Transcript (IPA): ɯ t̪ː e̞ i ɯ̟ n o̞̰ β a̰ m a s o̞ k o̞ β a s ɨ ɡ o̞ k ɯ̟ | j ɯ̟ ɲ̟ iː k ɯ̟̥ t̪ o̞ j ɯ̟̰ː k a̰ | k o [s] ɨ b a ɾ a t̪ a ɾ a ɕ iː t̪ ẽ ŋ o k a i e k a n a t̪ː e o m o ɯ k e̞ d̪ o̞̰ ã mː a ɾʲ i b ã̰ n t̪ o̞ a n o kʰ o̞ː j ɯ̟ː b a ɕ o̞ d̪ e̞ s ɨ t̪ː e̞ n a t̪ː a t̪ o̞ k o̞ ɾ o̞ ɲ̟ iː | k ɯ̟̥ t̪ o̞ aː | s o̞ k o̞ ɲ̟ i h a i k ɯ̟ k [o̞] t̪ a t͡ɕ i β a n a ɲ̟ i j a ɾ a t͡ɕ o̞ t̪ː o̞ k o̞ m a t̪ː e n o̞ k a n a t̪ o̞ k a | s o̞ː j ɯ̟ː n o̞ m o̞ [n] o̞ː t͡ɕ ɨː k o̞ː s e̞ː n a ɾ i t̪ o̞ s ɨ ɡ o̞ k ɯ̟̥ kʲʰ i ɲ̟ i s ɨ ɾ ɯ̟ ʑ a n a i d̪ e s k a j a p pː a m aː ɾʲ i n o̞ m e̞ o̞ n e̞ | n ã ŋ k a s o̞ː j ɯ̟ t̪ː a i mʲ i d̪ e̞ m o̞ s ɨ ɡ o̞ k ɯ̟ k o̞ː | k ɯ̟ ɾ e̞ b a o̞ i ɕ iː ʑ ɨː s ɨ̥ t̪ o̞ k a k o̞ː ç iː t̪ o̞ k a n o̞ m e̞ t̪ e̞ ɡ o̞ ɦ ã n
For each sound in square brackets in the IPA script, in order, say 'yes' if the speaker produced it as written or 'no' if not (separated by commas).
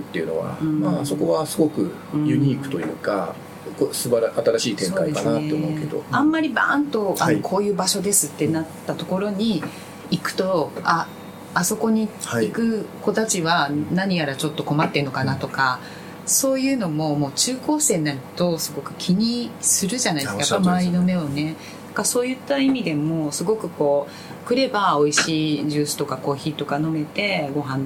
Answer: yes, yes, no